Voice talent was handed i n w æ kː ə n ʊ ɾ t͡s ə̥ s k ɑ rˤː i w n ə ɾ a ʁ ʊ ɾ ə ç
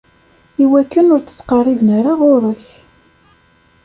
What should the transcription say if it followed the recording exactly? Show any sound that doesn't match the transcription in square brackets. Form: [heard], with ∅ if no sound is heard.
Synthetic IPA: i [∅] w æ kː ə n ʊ ɾ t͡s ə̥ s [q] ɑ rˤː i [v] n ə ɾ a ʁ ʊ ɾ ə ç